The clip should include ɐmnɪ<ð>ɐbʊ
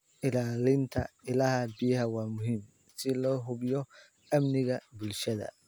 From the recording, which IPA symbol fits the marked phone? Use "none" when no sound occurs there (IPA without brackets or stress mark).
ɣ